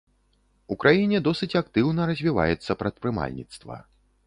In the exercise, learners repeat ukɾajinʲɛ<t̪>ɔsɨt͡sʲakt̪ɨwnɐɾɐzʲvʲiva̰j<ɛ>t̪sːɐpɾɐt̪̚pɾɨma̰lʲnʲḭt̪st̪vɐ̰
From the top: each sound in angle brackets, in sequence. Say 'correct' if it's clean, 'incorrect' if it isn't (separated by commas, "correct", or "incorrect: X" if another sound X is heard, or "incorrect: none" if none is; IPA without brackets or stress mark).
incorrect: d̪, correct